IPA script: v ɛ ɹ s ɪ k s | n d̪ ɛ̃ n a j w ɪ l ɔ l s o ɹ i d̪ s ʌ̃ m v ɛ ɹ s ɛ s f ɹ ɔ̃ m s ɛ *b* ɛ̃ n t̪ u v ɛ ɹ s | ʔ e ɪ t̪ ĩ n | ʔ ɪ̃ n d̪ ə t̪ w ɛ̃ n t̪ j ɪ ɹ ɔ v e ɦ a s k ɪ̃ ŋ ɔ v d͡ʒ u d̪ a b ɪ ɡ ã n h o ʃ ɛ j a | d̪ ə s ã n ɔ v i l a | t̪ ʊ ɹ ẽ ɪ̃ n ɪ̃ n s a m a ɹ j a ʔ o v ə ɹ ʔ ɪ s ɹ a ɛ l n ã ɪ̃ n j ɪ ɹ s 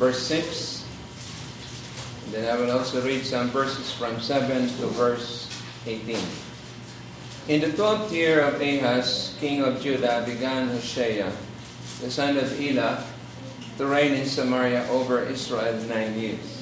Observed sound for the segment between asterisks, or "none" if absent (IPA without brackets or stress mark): v